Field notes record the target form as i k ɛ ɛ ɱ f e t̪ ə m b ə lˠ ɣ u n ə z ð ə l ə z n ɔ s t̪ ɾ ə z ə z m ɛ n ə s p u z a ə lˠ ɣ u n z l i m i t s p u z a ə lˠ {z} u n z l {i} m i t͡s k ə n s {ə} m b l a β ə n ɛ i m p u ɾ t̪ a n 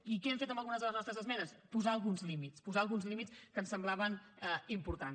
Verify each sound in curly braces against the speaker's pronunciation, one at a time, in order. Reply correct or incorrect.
incorrect: ɣ, correct, correct

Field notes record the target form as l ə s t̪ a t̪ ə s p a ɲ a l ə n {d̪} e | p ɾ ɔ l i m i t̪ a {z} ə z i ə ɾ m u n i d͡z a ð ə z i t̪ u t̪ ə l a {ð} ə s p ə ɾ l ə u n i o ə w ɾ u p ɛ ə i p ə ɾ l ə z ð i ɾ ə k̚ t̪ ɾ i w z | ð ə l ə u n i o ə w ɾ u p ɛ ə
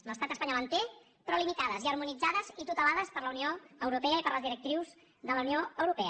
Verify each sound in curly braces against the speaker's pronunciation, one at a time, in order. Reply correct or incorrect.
incorrect: t̪, incorrect: ð, correct

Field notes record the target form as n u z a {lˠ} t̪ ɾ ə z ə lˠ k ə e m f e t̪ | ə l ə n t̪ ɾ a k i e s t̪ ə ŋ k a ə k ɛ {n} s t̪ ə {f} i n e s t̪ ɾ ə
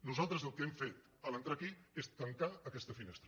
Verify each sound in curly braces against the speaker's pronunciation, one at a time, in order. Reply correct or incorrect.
correct, incorrect: none, correct

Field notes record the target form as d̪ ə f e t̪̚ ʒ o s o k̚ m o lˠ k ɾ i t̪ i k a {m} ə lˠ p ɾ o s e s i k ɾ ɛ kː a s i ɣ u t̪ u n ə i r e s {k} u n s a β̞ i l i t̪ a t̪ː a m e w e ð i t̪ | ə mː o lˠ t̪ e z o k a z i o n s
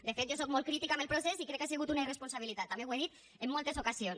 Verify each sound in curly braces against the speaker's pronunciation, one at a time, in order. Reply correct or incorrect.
correct, incorrect: p

